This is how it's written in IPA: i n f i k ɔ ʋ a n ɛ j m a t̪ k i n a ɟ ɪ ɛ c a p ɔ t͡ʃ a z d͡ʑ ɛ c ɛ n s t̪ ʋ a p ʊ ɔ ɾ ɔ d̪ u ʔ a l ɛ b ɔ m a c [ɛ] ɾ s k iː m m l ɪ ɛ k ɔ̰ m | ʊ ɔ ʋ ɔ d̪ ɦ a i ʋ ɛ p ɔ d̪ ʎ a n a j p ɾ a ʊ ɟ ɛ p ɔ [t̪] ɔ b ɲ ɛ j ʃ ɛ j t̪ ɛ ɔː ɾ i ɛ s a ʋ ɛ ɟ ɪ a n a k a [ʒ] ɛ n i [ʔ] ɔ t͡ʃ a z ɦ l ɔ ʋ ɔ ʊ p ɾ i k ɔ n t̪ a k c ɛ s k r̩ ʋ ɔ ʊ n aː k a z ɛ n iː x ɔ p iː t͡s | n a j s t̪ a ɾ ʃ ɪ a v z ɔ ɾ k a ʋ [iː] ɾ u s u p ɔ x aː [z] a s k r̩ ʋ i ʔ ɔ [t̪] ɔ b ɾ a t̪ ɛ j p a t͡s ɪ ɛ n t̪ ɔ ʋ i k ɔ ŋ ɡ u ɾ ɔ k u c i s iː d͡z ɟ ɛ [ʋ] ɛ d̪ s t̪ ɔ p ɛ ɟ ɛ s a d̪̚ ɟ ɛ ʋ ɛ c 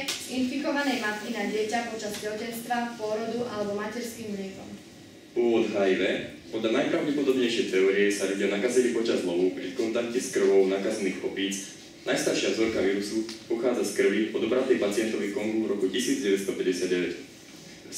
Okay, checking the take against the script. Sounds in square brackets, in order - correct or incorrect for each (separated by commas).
correct, incorrect, incorrect, incorrect, correct, incorrect, incorrect, correct